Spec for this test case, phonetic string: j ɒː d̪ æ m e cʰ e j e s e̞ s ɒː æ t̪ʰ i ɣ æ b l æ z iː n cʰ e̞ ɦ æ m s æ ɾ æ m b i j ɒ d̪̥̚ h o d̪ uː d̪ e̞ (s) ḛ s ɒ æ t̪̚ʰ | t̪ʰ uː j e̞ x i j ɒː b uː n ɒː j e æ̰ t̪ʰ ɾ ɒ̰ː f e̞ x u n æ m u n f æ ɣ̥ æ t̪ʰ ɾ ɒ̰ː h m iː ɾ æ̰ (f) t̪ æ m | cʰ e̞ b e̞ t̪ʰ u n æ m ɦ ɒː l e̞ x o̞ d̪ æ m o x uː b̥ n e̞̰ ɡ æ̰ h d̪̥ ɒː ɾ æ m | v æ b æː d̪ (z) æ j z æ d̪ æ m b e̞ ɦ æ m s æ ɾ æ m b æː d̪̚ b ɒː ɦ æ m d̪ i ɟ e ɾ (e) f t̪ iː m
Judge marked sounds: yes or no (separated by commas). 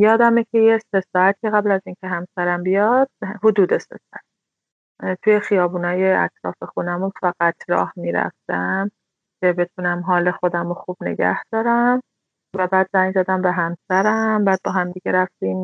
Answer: yes, yes, yes, no